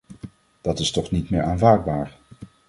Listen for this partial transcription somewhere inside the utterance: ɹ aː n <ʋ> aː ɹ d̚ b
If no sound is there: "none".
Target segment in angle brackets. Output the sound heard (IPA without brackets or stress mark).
v